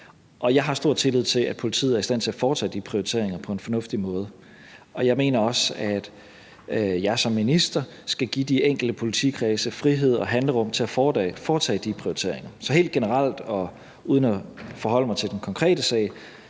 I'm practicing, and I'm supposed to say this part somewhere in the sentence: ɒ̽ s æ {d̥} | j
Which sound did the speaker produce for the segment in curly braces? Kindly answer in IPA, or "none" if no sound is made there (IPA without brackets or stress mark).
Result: d̥